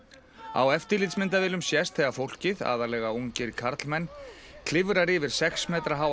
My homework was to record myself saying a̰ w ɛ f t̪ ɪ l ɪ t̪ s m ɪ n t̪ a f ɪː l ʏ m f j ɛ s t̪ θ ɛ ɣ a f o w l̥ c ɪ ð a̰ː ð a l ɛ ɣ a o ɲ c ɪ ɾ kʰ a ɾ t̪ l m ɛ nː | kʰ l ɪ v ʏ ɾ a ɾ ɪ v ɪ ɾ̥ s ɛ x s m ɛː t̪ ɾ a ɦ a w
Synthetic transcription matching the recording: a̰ w ɛ f t̪ ɪ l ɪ t̪ s m ɪ n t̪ a v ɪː l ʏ m s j ɛ s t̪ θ ɛ ɣ a f o w l̥ c ɪ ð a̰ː ð a l ɛ ɣ a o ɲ c ɪ ɾ kʰ a ɾ t̪ l m ɛ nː | kʰ l ɪ v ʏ ɾ a ɾ ɪ v ɪ ɾ̥ s ɛ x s m ɛː t̪ ɾ a ɦ a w